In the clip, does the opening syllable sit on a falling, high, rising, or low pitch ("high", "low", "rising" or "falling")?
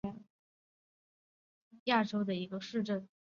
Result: falling